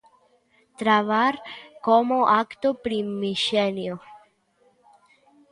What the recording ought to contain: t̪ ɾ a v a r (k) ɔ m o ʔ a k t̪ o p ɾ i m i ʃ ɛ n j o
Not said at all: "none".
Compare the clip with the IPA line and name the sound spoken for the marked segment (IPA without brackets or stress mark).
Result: k